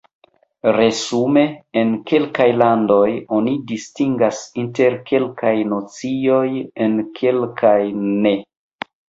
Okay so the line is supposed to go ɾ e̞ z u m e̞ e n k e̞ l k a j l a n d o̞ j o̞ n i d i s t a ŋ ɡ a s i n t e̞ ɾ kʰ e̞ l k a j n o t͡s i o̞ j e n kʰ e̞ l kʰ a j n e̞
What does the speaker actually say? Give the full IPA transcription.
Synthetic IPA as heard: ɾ e̞ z u m e̞ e n k e̞ l k a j l a n d o̞ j o̞ n i d i s t i ŋ ɡ a s i n t e̞ ɾ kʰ e̞ l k a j n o t͡s i o̞ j e n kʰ e̞ l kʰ a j n e̞